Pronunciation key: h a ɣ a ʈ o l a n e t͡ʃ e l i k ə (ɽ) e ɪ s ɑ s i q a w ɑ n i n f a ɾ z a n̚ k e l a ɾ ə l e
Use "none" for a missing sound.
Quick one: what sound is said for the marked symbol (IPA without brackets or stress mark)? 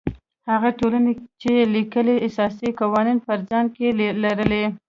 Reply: l